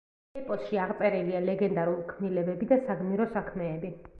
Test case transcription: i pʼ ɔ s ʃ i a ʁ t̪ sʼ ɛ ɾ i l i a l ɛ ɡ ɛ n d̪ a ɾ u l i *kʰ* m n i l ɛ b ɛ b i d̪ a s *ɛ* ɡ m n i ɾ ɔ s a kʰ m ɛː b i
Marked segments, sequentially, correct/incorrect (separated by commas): correct, incorrect